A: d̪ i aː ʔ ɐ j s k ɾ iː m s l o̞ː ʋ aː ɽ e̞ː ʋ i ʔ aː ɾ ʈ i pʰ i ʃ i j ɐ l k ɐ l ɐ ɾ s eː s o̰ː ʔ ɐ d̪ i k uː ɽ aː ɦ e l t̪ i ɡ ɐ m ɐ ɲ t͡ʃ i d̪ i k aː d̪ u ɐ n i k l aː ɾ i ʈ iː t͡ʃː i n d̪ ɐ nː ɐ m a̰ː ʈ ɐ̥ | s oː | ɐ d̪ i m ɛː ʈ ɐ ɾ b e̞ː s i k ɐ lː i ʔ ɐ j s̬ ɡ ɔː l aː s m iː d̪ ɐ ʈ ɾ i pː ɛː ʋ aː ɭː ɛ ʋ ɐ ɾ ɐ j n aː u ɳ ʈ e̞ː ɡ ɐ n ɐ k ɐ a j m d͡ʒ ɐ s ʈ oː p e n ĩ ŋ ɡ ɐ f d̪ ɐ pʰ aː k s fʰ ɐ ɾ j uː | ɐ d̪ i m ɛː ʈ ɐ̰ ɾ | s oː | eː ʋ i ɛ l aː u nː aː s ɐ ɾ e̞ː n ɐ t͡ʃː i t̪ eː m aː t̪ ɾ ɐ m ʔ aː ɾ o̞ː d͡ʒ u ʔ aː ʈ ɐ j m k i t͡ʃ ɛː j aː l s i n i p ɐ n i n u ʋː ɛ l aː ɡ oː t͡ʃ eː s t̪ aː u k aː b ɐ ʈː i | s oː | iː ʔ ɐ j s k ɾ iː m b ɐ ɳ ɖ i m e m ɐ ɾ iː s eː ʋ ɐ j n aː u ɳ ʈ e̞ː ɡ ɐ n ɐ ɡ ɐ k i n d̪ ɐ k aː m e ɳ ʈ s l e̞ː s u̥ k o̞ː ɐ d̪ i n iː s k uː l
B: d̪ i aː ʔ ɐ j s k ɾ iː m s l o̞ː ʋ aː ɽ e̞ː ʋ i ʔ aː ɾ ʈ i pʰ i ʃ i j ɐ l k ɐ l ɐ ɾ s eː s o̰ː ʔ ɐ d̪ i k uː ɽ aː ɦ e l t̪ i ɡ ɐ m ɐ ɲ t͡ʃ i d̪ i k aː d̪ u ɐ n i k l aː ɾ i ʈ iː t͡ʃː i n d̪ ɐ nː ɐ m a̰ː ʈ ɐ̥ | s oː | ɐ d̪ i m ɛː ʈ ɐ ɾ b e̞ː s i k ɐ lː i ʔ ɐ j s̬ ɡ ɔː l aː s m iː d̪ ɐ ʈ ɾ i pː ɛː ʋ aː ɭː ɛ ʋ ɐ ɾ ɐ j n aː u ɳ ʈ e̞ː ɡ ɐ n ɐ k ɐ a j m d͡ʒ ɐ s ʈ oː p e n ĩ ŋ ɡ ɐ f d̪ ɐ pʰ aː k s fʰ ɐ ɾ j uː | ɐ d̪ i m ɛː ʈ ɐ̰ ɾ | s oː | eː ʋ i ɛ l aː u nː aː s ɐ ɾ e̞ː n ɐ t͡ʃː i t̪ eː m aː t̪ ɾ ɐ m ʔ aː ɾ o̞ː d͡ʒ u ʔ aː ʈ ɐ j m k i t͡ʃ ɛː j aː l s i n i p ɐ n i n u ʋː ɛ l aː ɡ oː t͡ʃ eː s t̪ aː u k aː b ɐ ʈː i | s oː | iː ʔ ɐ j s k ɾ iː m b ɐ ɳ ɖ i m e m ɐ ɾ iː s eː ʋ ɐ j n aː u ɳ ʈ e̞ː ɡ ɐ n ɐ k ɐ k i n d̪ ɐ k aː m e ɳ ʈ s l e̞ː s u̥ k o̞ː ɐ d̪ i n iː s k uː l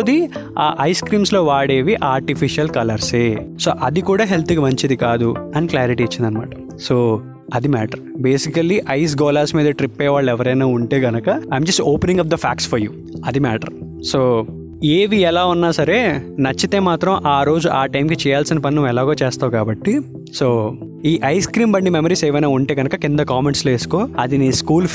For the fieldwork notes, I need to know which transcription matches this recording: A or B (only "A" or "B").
B